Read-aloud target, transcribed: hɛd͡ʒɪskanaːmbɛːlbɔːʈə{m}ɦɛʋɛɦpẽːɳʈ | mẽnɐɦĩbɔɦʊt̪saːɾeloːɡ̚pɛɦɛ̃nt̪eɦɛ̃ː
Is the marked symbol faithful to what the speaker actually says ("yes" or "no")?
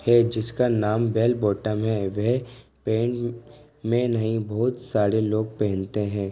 yes